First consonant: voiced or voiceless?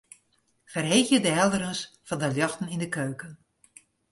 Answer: voiceless